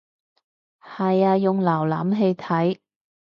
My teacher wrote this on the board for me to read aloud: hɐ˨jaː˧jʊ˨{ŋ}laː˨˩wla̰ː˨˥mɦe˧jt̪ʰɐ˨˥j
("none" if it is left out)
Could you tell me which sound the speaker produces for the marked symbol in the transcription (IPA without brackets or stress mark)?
ŋ